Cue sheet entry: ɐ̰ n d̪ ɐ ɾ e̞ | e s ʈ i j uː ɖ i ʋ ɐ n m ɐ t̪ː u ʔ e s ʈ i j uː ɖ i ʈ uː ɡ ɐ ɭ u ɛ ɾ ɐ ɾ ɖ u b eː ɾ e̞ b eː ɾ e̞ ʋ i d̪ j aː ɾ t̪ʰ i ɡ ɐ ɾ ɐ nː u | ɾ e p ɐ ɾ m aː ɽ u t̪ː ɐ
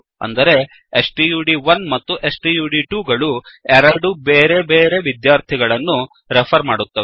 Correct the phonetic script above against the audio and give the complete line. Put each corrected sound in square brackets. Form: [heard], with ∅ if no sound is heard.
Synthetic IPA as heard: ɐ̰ n d̪ ɐ ɾ e̞ | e s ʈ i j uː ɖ i ʋ ɐ n m ɐ t̪ː u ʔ e s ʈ i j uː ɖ i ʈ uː ɡ ɐ ɭ u ɛ ɾ ɐ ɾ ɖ u b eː ɾ e̞ b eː ɾ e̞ ʋ i d̪ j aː ɾ t̪ʰ i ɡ ɐ [ɭ] ɐ nː u | ɾ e [pʰ] ɐ ɾ m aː ɽ u t̪ː ɐ

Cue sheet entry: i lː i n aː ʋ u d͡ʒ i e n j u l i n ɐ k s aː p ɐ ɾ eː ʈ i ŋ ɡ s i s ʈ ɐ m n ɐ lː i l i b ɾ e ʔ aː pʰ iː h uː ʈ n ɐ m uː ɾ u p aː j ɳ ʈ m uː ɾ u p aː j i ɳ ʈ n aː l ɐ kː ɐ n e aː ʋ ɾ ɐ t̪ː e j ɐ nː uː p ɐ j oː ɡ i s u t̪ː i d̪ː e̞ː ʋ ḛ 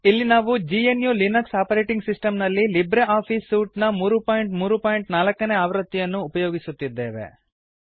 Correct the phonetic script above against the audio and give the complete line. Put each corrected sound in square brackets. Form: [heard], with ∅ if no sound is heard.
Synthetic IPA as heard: i lː i n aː ʋ u d͡ʒ i e n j u l i n ɐ k s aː p ɐ ɾ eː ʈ i ŋ ɡ s i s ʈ ɐ m n ɐ lː i l i b ɾ e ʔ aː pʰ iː [s] uː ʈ n ɐ m uː ɾ u p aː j ɳ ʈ m uː ɾ u p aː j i ɳ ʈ n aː l ɐ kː ɐ n e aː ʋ ɾ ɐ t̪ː [i] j ɐ nː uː p ɐ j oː ɡ i s u t̪ː i d̪ː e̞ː ʋ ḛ

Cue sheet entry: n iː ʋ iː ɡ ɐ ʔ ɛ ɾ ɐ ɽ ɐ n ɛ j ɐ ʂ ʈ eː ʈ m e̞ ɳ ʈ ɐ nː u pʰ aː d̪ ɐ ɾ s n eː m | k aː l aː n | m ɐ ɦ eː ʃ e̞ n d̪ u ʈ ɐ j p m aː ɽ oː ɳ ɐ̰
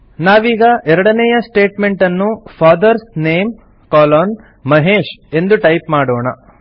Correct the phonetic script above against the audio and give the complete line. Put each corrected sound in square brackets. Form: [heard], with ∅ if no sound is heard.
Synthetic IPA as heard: n [aː] ʋ iː ɡ ɐ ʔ ɛ ɾ ɐ ɽ ɐ n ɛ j ɐ [s] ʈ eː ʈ m e̞ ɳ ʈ ɐ nː u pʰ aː d̪ ɐ ɾ s n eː m | k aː l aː n | m ɐ ɦ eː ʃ e̞ n d̪ u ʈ ɐ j p m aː ɽ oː ɳ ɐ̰

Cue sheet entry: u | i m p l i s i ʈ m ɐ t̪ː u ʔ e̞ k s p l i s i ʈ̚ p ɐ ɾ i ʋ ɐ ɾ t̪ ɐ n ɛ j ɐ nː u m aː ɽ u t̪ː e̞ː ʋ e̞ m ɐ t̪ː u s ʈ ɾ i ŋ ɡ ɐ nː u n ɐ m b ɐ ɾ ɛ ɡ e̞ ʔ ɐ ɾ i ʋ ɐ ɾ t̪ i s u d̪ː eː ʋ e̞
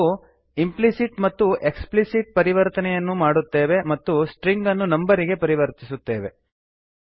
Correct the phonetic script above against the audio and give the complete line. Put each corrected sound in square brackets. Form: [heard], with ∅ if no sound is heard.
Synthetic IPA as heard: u | i m p l i s i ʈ m ɐ t̪ː u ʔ e̞ k s p l i s i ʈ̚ p ɐ ɾ i ʋ ɐ ɾ t̪ ɐ n ɛ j ɐ nː u m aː ɽ u t̪ː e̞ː ʋ e̞ m ɐ t̪ː u s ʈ ɾ i ŋ ɡ ɐ nː u n ɐ m b ɐ ɾ [i] ɡ e̞ [p] ɐ ɾ i ʋ ɐ ɾ t̪ i s u [t̪ː] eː ʋ e̞

